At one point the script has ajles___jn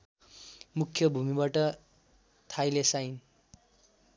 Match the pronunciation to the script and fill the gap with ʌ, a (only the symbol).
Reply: a